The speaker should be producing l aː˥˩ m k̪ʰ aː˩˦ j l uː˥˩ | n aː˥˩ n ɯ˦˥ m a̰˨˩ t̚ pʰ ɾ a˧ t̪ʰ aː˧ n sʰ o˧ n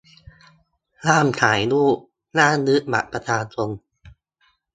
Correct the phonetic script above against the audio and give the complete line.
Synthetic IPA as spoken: l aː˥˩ m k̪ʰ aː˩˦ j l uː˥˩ | n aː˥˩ n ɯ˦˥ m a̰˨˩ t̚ p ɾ a˧ t̪ʰ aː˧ n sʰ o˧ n